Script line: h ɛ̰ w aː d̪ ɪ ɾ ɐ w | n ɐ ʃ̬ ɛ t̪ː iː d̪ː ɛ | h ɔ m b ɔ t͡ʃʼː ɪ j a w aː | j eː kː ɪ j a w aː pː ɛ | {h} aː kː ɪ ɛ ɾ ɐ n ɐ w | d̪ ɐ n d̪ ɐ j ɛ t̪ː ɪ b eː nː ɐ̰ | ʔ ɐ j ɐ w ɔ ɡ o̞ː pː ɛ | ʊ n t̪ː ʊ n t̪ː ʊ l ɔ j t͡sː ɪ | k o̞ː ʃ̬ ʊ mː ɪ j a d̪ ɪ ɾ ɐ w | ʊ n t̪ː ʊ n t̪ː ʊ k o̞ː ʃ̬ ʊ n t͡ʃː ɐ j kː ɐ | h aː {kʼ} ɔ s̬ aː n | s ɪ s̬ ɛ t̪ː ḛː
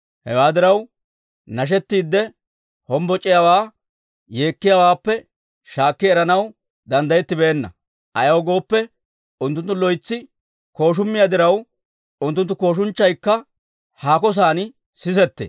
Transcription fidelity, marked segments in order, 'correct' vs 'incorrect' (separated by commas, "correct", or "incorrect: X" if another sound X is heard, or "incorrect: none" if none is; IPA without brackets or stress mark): incorrect: ʃ, incorrect: k